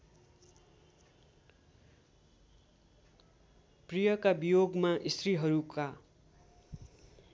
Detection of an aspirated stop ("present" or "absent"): absent